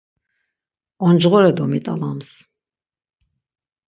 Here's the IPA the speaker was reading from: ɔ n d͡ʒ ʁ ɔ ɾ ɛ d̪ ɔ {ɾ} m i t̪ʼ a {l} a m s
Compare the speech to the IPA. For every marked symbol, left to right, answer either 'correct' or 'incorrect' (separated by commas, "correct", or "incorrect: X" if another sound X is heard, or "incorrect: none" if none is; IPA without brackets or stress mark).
incorrect: none, correct